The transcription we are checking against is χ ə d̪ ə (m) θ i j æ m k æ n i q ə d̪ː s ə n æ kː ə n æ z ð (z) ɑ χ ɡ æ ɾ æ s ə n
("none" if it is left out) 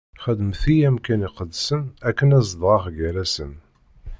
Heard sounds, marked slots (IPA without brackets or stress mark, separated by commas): m, ʁ